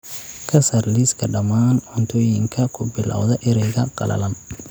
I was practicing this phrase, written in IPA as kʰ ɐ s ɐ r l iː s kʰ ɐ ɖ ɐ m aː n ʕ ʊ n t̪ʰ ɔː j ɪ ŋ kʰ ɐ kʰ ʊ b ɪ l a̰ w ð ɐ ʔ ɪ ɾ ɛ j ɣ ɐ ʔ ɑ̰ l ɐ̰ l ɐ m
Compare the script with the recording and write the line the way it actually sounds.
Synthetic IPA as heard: kʰ ɐ s ɐ r l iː s kʰ ɐ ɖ ɐ m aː n ʕ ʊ n t̪ʰ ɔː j ɪ ŋ kʰ ɐ kʰ ʊ b ɪ l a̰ w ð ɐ ʔ ɪ ɾ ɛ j ɣ ɐ q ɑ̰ l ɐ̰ l ɐ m